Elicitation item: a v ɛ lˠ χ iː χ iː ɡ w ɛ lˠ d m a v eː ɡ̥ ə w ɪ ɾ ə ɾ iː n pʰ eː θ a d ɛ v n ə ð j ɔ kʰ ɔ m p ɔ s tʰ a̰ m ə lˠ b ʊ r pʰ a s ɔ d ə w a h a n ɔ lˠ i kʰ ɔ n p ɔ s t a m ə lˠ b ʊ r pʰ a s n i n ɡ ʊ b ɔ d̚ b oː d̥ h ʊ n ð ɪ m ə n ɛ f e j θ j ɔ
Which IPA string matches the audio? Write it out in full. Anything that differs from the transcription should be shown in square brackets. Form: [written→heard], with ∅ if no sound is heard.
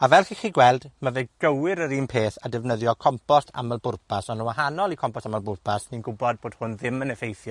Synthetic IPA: a v ɛ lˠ χ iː χ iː ɡ w ɛ lˠ d m a v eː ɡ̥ ə w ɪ ɾ ə ɾ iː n pʰ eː θ a d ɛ v n ə ð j ɔ kʰ ɔ m p ɔ s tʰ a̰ m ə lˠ b ʊ r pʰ a s ɔ [d→n] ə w a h a n ɔ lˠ i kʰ ɔ [n→m] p ɔ s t a m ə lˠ b ʊ r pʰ a s n i n ɡ ʊ b ɔ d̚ b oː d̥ h ʊ n ð ɪ m ə n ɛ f e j θ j ɔ